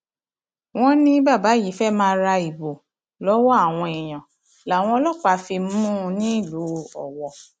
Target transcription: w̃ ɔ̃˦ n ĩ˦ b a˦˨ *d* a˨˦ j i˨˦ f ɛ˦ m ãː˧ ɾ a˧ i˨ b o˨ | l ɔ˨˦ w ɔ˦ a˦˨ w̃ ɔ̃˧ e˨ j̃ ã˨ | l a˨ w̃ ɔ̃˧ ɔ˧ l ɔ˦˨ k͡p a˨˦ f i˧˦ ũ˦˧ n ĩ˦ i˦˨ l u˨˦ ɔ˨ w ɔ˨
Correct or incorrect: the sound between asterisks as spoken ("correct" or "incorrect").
incorrect